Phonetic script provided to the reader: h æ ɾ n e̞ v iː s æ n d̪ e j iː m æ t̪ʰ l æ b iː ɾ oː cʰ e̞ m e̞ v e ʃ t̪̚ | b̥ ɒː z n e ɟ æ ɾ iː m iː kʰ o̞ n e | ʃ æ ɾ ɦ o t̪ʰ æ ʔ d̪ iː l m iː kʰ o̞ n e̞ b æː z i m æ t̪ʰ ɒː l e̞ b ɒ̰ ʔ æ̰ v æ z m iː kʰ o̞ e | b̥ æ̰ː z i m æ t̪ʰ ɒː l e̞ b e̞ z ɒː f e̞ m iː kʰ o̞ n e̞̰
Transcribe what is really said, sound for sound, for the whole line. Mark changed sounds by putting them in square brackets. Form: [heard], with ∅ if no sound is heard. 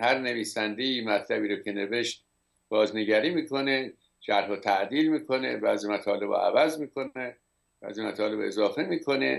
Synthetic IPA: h æ ɾ n e̞ v iː s æ n d̪ e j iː m æ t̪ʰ l æ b iː ɾ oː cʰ e̞ [n] e̞ v e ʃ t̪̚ | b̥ ɒː z n e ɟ æ ɾ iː m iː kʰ o̞ n e | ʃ æ ɾ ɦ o t̪ʰ æ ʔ d̪ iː l m iː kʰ o̞ n e̞ b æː z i m æ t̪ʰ ɒː l e̞ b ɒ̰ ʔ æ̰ v æ z m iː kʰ o̞ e | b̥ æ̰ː z i m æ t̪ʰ ɒː l e̞ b e̞ z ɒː f e̞ m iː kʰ o̞ n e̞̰